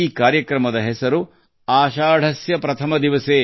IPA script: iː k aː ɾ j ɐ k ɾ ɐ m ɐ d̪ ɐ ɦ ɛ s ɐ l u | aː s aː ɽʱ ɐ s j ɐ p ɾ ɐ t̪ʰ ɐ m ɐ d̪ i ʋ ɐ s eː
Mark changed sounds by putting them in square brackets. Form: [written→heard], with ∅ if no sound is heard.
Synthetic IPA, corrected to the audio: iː k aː ɾ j ɐ k ɾ ɐ m ɐ d̪ ɐ ɦ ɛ s ɐ [l→ɾ] u | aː [s→ʃ] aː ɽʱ ɐ s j ɐ p ɾ ɐ t̪ʰ ɐ m ɐ d̪ i ʋ ɐ s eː